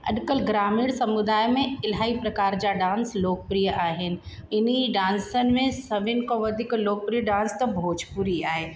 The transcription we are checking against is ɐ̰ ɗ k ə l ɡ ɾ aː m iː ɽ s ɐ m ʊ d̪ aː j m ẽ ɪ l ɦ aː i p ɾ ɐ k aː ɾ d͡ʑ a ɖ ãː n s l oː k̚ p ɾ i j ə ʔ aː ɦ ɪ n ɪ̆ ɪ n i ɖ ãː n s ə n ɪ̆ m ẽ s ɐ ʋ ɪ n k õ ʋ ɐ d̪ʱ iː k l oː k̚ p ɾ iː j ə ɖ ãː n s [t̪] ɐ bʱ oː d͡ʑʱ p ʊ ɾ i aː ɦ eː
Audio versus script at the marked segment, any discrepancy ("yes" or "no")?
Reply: no